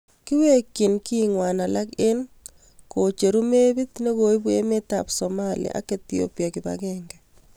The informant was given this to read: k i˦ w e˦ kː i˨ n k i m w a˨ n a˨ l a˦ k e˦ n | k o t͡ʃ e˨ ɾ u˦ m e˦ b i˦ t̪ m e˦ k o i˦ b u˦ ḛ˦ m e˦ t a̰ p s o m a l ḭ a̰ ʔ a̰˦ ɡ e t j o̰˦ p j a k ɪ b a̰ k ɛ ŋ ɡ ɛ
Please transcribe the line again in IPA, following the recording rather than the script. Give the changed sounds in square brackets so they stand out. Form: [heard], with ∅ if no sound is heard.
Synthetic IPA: k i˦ w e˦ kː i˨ n k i [ŋ] w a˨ n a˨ l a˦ k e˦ n | k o t͡ʃ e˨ ɾ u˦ m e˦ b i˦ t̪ [n] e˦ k o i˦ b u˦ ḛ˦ m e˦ t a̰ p s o m a l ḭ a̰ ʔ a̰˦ [k] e t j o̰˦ p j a k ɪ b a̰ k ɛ ŋ ɡ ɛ